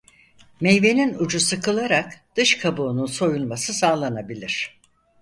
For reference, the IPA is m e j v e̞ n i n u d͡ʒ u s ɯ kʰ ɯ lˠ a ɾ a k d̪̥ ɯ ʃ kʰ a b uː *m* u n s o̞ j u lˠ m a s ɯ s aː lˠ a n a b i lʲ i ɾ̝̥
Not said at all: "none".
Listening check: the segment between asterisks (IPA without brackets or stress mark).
n